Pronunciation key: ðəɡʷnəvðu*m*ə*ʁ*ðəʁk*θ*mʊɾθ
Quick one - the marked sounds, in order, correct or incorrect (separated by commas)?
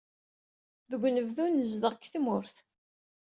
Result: incorrect, incorrect, correct